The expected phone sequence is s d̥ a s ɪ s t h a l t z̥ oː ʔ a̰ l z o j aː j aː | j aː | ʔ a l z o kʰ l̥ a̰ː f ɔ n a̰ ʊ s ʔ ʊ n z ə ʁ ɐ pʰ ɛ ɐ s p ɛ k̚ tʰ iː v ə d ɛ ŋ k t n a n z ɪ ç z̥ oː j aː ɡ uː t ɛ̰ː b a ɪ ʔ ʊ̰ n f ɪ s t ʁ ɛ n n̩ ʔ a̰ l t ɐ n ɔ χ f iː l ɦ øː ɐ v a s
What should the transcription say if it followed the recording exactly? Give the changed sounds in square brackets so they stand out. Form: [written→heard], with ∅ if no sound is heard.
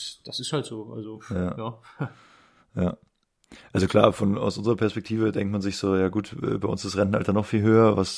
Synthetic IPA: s d̥ a s ɪ s t h a l t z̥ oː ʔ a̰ l z o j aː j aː | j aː | ʔ a l z o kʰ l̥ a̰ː f ɔ n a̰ ʊ s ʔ ʊ n z ə ʁ ɐ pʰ ɛ ɐ s p ɛ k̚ tʰ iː v ə d ɛ ŋ k t [n→m] a n z ɪ ç z̥ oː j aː ɡ uː t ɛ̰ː b a ɪ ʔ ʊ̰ n [f→s] ɪ s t ʁ ɛ n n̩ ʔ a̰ l t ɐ n ɔ χ f iː l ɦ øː ɐ v a s